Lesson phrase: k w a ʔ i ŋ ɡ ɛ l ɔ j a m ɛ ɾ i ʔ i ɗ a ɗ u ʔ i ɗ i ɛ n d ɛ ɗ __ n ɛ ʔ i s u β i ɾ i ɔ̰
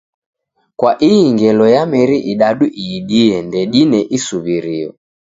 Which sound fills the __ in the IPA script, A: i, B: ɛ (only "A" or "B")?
A